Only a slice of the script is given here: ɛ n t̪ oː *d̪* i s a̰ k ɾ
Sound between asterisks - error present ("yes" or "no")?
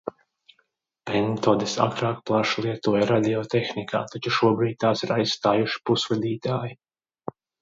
no